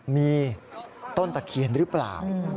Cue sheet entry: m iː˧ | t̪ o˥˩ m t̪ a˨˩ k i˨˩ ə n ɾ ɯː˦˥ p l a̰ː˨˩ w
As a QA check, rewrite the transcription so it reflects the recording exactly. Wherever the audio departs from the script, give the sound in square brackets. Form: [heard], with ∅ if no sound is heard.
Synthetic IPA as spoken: m iː˧ | t̪ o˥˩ [n] t̪ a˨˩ [kʰ] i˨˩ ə n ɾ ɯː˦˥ p l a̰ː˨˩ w